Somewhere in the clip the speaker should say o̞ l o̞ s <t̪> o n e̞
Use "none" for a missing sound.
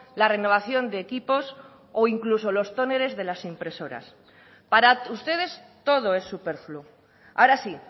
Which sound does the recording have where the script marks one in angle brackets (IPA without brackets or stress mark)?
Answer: t̪